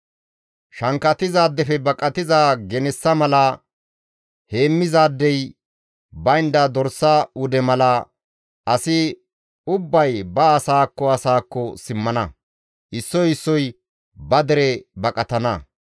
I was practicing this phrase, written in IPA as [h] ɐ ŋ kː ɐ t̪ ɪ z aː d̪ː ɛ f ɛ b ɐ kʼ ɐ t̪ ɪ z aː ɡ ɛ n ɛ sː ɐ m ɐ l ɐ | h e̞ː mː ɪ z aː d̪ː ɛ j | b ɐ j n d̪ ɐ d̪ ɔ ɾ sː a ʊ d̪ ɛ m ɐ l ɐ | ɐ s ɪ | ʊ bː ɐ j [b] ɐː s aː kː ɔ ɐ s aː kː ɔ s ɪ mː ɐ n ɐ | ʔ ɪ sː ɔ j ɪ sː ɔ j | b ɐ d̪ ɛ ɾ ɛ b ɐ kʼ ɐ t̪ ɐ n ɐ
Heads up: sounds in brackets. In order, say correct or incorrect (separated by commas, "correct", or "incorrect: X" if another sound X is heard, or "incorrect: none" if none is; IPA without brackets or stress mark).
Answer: incorrect: ʃ, correct